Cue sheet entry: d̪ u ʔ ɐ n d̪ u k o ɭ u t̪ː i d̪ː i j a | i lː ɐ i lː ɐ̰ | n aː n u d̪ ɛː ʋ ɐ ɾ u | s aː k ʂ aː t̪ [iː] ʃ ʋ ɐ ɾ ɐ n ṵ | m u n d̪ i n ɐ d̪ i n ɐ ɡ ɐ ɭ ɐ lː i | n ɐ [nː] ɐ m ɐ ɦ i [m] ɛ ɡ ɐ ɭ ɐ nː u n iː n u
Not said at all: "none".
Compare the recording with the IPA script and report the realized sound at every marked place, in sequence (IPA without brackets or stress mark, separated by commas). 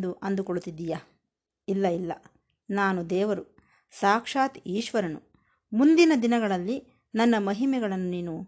iː, nː, m